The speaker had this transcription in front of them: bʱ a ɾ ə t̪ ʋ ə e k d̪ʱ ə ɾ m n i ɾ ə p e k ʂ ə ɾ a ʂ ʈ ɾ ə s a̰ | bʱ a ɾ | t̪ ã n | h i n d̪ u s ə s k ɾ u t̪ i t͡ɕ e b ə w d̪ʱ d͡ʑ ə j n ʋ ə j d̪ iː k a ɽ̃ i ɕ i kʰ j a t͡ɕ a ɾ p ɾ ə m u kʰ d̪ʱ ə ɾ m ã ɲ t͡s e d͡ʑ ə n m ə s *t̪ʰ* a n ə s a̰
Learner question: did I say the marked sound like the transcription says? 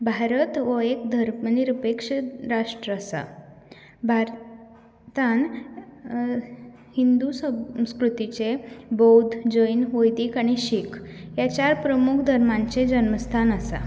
yes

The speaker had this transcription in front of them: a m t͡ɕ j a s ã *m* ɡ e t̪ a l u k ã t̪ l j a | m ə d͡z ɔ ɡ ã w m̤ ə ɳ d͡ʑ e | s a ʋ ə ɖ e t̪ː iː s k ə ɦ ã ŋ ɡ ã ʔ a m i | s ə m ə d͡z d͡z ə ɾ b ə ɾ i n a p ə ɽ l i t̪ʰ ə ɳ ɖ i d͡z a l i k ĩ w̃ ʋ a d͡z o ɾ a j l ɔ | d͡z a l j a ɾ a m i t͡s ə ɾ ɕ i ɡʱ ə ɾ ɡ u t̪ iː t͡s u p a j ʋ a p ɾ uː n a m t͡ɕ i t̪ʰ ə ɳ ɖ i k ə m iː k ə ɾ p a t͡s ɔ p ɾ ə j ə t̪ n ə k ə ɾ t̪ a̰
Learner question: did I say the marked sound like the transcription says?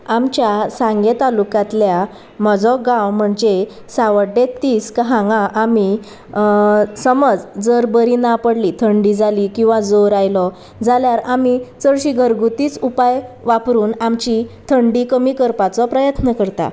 no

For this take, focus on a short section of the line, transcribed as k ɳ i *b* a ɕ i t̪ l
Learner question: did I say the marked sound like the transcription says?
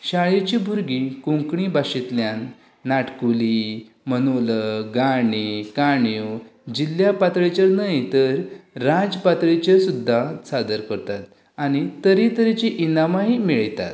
yes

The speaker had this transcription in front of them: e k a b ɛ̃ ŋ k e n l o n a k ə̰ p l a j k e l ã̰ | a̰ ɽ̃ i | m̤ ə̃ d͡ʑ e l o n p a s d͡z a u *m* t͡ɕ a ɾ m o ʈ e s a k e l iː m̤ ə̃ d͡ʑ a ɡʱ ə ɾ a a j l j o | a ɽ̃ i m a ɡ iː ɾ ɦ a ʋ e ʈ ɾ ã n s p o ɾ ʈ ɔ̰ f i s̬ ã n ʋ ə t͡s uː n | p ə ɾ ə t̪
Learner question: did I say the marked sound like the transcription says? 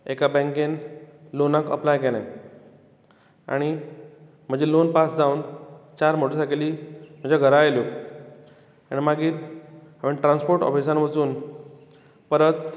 no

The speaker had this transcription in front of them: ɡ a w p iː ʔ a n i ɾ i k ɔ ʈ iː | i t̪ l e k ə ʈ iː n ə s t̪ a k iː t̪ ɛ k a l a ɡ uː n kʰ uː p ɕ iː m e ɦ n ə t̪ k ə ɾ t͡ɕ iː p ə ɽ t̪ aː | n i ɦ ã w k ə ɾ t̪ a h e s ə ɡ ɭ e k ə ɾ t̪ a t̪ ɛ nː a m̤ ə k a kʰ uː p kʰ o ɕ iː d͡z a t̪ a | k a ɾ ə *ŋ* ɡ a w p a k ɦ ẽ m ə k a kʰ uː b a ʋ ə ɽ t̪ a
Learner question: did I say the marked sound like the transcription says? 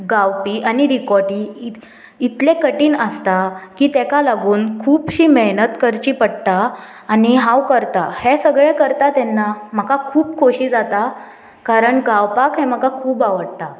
no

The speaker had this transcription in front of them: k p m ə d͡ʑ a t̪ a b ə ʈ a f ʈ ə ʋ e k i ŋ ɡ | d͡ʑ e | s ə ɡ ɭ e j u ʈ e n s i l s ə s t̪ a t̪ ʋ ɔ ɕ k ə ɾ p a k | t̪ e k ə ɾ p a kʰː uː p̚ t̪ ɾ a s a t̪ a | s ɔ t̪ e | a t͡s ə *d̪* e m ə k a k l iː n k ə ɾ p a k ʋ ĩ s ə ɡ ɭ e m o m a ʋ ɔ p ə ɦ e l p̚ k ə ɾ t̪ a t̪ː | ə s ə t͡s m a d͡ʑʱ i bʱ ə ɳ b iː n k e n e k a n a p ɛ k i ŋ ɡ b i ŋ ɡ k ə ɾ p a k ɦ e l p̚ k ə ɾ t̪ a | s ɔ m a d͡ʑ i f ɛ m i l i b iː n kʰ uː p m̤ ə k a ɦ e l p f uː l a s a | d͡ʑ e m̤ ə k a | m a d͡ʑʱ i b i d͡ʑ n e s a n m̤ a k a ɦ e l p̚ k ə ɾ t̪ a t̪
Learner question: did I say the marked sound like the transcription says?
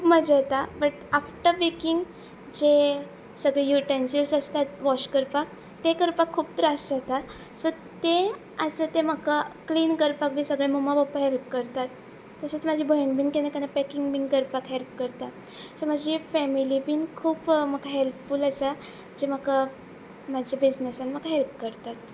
no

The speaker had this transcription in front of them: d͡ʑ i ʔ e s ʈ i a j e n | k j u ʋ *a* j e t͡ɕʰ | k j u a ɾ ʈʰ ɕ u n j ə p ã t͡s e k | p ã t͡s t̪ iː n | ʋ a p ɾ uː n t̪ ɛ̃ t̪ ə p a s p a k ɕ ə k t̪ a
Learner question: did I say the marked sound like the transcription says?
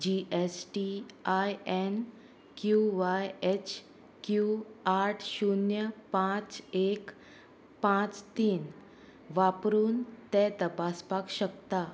yes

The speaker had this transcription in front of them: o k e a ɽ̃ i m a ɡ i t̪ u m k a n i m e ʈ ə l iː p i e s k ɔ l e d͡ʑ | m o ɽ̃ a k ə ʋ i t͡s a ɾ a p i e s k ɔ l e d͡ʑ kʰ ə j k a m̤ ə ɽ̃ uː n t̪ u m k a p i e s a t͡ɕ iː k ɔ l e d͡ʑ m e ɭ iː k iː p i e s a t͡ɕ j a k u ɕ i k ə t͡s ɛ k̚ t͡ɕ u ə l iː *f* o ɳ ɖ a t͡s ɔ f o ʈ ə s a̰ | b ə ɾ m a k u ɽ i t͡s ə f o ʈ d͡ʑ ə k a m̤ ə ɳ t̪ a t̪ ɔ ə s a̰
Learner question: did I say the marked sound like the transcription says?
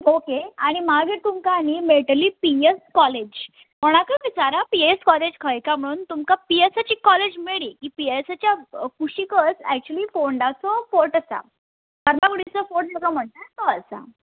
yes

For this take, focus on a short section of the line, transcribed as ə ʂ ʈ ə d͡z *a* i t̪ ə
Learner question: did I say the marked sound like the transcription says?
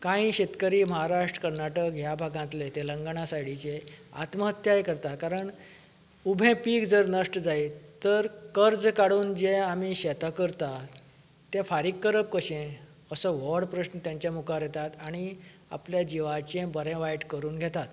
yes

